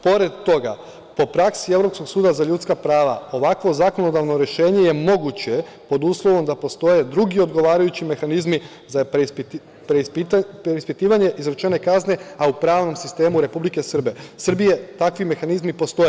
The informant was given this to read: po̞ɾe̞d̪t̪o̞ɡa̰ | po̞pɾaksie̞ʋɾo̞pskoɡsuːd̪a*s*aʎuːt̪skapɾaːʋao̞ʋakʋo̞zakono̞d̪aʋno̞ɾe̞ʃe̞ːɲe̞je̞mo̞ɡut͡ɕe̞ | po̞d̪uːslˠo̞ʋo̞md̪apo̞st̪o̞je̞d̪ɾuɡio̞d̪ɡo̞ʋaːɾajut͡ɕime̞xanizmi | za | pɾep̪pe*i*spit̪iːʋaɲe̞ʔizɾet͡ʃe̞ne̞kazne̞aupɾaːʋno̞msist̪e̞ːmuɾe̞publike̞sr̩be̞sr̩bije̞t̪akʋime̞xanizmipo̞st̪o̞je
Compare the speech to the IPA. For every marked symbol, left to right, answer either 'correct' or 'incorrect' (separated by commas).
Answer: incorrect, correct